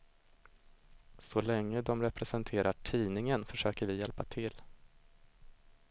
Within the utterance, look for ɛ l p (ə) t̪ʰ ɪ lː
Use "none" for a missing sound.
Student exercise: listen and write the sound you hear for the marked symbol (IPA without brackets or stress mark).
a